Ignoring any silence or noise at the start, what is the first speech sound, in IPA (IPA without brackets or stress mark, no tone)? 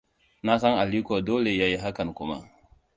n